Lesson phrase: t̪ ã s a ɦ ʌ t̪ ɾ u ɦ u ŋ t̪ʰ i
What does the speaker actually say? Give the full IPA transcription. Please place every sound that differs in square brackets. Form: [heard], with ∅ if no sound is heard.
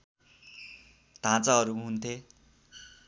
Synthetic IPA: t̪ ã [t͡s] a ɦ ʌ [∅] ɾ u ɦ u [n] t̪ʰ [e]